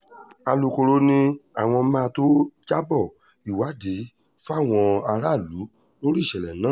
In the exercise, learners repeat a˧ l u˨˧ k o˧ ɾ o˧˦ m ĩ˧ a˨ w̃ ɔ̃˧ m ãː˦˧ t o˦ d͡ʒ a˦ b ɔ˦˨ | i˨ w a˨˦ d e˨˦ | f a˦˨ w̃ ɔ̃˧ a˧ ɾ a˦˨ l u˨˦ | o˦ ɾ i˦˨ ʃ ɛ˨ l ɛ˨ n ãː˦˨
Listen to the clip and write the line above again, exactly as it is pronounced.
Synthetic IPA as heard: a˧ l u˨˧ k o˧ ɾ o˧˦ n ĩ˧ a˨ w̃ ɔ̃˧ m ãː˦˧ t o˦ d͡ʒ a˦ b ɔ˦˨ | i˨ w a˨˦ d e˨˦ | f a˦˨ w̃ ɔ̃˧ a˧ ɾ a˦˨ l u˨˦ | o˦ ɾ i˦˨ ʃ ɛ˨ l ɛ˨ n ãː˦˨